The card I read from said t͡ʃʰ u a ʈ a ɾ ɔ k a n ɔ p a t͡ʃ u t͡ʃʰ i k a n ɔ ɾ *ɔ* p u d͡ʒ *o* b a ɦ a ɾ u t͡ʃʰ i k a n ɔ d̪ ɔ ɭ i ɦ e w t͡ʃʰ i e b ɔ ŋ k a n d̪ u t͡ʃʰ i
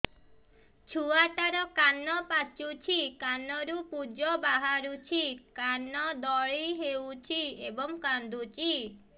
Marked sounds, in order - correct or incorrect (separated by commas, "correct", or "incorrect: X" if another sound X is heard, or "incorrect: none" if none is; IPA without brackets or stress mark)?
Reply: incorrect: u, incorrect: ɔ